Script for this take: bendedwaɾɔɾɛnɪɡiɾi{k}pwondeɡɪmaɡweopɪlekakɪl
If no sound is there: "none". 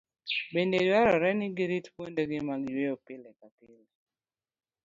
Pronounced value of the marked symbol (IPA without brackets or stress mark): t